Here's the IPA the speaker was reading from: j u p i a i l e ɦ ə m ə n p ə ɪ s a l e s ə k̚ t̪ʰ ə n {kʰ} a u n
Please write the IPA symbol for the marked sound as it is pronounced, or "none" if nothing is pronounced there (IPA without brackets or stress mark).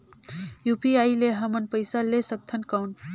k